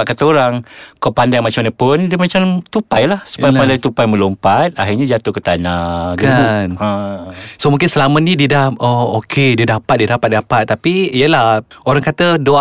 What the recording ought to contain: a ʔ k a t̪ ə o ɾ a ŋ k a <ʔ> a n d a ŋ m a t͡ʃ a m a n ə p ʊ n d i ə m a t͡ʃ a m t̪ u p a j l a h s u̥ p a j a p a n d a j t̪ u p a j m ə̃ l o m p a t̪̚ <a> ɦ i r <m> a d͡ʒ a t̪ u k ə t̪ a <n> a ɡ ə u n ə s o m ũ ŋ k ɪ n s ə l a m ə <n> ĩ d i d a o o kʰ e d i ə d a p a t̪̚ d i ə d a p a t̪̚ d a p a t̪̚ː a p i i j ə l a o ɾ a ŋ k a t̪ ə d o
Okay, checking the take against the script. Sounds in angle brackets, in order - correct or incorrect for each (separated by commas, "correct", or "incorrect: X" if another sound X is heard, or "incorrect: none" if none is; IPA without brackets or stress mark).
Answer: incorrect: p, correct, incorrect: ɲ, correct, correct